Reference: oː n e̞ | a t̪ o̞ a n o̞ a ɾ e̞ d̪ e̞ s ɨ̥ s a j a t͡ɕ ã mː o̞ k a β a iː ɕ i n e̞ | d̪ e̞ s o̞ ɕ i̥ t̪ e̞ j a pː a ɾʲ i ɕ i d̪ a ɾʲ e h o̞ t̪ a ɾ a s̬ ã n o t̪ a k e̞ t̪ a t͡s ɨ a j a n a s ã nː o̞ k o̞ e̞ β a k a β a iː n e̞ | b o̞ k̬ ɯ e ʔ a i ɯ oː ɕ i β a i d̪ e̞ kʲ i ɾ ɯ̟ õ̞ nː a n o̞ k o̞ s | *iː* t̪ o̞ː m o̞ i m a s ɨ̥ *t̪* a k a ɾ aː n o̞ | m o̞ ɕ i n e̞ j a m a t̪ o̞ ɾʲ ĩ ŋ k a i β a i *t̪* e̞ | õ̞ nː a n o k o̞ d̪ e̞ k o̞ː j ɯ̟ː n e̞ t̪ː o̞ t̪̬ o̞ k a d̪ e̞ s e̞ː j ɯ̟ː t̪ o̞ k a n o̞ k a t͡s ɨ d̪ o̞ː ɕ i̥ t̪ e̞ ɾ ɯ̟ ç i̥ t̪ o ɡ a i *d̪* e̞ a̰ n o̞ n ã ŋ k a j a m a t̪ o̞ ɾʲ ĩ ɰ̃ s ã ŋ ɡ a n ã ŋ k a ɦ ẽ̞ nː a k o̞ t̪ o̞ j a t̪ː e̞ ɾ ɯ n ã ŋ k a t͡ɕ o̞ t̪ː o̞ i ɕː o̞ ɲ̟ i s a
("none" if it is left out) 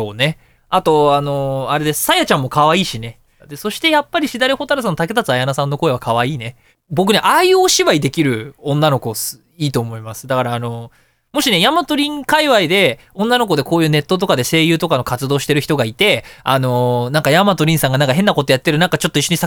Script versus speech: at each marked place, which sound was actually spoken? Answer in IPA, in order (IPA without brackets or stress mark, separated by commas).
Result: iː, d̪, d̪, t̪